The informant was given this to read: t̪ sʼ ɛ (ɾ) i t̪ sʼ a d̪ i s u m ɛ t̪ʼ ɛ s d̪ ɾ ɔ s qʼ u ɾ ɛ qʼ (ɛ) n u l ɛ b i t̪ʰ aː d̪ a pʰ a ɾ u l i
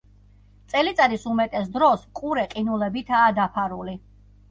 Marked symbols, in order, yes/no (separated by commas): no, no